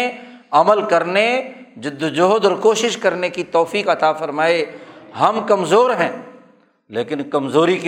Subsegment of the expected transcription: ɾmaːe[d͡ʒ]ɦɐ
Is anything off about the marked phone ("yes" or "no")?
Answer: yes